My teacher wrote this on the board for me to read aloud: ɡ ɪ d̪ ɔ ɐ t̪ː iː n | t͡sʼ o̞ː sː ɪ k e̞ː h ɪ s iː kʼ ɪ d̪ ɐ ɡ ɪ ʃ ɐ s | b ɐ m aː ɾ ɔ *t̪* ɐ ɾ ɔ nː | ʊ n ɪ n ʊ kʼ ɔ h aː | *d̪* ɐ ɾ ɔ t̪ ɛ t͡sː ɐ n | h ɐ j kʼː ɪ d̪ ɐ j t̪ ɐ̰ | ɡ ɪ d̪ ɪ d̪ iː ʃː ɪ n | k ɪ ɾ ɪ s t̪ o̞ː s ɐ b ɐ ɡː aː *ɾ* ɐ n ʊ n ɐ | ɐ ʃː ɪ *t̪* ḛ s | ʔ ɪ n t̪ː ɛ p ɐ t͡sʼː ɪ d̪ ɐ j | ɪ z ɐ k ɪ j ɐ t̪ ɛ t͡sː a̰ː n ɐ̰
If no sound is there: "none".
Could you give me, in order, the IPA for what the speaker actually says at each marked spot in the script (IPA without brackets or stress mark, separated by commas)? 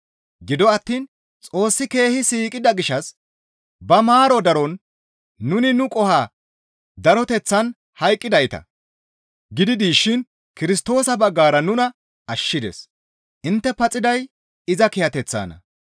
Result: d̪, d̪, ɾ, d̪